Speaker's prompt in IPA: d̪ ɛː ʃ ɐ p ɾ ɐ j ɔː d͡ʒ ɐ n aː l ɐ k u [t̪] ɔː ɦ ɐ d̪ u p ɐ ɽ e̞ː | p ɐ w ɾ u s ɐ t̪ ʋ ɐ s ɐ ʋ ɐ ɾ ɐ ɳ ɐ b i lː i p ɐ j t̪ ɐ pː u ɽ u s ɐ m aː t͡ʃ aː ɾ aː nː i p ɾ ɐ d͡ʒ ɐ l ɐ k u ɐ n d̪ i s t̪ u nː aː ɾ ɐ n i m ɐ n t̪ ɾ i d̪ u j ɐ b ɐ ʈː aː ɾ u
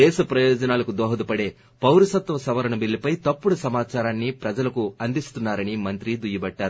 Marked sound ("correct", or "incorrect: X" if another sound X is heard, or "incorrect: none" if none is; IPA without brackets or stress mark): incorrect: d̪